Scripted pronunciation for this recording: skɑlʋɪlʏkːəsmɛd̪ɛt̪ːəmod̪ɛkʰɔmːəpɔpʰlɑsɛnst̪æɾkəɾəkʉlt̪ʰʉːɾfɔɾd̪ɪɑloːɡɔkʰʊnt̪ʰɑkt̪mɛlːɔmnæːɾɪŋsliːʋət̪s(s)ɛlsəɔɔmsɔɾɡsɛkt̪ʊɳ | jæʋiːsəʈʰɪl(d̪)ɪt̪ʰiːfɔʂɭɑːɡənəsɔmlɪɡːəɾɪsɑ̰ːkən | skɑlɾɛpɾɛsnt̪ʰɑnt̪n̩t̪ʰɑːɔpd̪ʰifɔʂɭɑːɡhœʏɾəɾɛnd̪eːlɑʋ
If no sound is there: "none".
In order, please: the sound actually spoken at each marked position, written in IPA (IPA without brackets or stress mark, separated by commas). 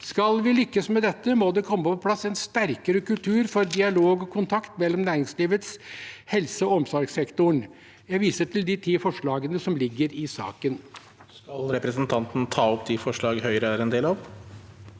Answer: h, d̪